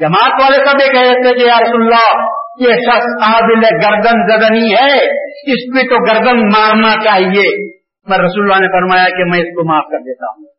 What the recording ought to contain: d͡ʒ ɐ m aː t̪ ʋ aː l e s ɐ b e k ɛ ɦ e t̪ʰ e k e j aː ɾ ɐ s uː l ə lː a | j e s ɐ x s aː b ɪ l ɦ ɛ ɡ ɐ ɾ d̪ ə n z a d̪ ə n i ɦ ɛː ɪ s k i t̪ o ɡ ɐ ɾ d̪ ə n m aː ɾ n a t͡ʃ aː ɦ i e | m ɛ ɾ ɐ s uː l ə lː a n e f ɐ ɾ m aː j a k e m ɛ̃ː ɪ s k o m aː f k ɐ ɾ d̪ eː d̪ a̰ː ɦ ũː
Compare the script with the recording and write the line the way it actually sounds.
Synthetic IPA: d͡ʒ ɐ m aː t̪ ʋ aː l e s ɐ b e k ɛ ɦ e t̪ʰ e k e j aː ɾ ɐ s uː l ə lː a | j e ʃ ɐ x s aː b ɪ l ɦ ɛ ɡ ɐ ɾ d̪ ə n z ɐ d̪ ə n i ɦ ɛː ɪ s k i t̪ o ɡ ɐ ɾ d̪ ə n m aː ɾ n a t͡ʃ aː ɦ i e | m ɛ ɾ ɐ s uː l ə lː a n e f ɐ ɾ m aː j a k e m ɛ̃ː ɪ s k o m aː f k ɐ ɾ d̪ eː t̪ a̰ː ɦ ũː